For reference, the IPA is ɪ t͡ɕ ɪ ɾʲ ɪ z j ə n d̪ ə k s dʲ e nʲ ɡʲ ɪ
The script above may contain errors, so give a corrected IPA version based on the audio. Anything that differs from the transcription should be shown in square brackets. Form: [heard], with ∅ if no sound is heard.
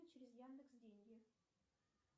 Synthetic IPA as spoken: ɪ t͡ɕ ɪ ɾʲ ɪ z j [a] n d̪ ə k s dʲ e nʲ ɡʲ ɪ